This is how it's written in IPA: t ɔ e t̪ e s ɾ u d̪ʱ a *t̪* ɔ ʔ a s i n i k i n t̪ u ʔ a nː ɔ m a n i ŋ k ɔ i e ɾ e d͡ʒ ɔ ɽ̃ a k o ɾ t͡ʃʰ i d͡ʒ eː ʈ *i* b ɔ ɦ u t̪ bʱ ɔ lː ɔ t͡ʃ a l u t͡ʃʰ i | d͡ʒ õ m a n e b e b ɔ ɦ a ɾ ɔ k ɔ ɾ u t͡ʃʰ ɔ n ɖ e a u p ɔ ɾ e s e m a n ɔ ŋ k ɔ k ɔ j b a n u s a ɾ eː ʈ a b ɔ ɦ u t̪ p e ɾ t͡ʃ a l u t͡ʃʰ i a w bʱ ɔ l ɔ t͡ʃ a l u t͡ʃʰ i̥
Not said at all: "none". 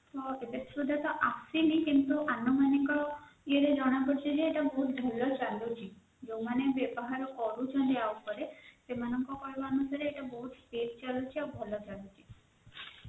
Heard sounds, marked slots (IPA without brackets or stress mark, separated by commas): t̪, a